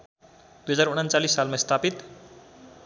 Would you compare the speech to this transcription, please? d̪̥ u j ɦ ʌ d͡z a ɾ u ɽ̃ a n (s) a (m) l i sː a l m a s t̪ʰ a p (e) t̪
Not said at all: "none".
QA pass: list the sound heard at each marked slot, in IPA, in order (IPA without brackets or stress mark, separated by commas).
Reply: t͡s, none, i